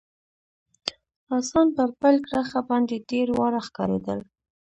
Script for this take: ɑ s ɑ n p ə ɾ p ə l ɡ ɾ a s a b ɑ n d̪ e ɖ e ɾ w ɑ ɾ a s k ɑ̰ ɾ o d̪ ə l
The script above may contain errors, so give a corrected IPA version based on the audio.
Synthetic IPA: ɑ s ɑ n p ə ɾ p ə l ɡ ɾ a x a b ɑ n d̪ e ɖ e ɾ w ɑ ɾ a x k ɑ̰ ɾ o d̪ ə l